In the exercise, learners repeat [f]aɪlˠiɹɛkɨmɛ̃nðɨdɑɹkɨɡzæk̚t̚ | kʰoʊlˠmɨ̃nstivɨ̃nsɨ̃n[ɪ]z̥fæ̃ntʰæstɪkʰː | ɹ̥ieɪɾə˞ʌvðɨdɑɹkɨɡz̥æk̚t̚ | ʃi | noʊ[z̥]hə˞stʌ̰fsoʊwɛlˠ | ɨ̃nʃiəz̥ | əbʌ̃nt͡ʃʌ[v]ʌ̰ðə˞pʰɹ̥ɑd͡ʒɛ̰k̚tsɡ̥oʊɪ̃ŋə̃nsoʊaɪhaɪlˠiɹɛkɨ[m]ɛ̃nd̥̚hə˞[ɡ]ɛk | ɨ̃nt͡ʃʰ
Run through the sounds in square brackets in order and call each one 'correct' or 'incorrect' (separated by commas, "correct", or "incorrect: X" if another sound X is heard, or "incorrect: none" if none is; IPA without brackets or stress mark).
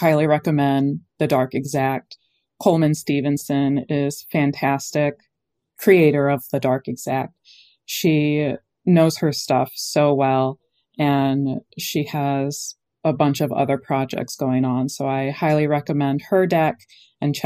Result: incorrect: h, correct, correct, correct, correct, incorrect: d